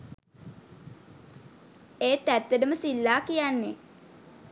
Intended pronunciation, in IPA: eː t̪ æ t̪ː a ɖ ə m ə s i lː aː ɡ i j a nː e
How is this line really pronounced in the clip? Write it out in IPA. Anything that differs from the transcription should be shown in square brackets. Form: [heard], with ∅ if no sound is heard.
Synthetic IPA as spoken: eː t̪ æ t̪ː [ə] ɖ ə m ə s i lː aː [k] i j a nː e